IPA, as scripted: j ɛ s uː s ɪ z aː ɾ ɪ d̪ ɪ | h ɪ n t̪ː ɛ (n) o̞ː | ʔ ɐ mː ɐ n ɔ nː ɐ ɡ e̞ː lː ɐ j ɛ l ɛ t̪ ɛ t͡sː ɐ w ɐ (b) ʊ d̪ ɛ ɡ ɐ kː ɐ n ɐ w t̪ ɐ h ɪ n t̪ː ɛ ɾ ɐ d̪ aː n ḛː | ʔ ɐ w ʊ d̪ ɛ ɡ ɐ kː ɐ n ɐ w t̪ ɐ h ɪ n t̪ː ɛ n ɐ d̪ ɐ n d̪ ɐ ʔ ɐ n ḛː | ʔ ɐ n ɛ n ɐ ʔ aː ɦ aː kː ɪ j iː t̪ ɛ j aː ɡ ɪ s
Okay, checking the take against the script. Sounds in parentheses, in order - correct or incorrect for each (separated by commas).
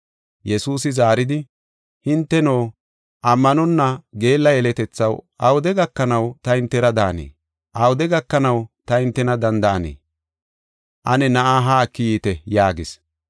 correct, incorrect